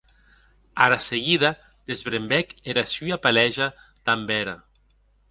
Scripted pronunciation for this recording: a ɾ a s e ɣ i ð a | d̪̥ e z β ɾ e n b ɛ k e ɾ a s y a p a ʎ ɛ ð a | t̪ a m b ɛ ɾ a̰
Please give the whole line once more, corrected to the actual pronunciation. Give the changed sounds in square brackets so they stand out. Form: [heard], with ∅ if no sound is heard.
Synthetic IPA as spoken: a ɾ a s e ɣ i ð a | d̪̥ e z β ɾ e [m] b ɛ k e ɾ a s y a p a [l] ɛ [ʒ] a | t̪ a m b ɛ ɾ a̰